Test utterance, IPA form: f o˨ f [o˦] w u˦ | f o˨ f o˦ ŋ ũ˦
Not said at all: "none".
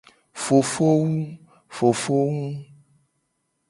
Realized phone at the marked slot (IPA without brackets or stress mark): o˦